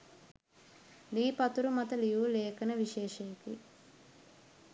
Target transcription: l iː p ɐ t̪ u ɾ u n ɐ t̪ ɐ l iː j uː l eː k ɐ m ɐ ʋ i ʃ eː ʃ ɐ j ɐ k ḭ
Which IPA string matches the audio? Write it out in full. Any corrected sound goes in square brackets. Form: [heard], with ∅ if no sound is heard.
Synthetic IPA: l iː p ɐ t̪ u ɾ u [m] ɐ t̪ ɐ l [i] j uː l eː k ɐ [n] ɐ ʋ i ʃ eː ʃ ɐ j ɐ k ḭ